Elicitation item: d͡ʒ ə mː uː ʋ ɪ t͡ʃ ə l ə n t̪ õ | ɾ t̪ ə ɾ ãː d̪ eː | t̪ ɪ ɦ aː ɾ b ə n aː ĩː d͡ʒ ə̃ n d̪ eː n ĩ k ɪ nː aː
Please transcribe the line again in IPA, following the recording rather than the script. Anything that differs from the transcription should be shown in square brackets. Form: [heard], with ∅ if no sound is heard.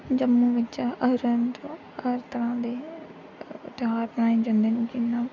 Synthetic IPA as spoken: d͡ʒ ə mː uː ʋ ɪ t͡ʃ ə [ɾ] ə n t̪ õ | ɾ t̪ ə ɾ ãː d̪ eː | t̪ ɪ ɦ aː ɾ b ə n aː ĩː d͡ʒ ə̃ n d̪ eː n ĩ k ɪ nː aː